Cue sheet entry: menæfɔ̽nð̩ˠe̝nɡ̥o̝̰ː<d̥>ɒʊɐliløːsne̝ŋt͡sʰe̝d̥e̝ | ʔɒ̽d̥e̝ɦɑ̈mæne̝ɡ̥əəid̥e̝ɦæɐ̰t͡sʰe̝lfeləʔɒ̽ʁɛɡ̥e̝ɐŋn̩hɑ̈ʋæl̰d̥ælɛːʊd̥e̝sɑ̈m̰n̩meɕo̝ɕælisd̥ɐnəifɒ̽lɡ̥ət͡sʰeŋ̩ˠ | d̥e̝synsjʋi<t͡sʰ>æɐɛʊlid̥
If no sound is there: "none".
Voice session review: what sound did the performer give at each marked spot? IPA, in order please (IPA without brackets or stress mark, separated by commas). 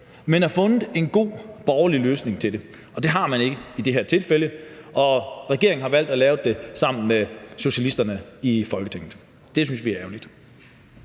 b̥, none